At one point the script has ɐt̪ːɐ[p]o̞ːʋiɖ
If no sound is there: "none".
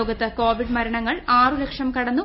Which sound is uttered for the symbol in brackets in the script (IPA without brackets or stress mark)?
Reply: k